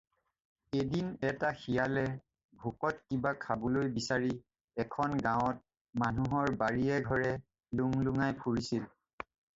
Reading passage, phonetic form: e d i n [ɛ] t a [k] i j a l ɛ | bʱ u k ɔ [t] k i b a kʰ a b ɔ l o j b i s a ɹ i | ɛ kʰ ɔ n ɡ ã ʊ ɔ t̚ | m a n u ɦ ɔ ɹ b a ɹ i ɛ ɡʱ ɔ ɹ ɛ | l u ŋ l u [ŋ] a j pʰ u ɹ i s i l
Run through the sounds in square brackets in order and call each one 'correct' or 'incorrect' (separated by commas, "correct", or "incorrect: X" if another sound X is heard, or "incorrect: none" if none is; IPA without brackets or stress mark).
correct, incorrect: x, correct, correct